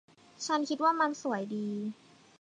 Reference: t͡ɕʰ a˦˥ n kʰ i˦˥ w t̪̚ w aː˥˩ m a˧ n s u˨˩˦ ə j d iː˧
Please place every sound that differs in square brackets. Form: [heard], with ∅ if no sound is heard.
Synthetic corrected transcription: t͡ɕʰ a˦˥ n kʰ i˦˥ [∅] t̪̚ w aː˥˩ m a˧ n s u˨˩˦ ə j d iː˧